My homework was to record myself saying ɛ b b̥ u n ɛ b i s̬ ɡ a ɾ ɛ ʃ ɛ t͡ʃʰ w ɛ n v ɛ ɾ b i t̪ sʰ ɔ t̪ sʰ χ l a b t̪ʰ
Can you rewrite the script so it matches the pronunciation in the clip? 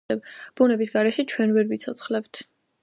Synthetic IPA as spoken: ɛ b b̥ u n ɛ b i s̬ ɡ a ɾ ɛ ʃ ɛ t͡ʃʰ w ɛ n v ɛ ɾ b i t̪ sʰ ɔ t̪ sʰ χ l ɛ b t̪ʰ